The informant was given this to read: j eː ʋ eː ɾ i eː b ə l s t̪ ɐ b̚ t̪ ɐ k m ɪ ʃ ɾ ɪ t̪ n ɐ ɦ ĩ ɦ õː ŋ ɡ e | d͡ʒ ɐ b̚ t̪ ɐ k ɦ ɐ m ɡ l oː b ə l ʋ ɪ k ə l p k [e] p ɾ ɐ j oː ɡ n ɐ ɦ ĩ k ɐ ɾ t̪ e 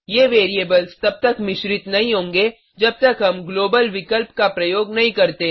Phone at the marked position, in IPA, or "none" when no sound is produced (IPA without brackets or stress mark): a